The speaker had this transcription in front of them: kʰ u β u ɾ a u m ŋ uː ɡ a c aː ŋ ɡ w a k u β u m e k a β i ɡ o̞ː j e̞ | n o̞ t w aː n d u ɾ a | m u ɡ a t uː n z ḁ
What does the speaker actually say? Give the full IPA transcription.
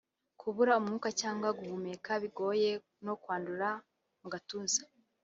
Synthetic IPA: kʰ u β u ɾ a u m ŋ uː k a c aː ŋ ɡ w a ɡ u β u m e k a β i ɡ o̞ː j e̞ | n o̞ k w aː n d u ɾ a | m u ɡ a t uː n z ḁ